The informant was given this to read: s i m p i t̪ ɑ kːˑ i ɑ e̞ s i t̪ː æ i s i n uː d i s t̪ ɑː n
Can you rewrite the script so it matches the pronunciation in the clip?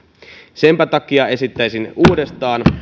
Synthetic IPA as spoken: s e m p æ t̪ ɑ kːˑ i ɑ e̞ s i t̪ː æ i s i n uː d e s t̪ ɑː n